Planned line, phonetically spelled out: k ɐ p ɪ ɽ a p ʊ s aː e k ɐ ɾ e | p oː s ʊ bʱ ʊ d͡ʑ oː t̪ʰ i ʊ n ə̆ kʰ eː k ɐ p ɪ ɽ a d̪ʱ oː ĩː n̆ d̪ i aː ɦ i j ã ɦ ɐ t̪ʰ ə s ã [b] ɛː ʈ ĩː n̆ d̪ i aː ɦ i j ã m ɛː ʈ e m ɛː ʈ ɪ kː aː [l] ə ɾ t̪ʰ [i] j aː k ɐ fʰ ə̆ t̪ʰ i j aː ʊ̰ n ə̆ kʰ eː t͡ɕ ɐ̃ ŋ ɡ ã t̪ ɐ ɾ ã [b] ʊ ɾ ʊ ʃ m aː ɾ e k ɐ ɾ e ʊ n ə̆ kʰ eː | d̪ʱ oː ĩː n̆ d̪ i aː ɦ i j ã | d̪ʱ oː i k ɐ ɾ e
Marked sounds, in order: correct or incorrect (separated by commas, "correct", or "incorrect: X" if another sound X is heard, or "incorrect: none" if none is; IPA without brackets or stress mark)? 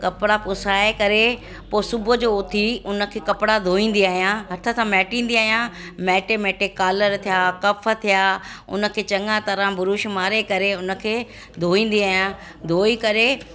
incorrect: m, correct, correct, correct